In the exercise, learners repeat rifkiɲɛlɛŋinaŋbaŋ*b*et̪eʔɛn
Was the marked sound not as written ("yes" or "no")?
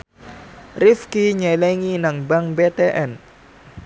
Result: no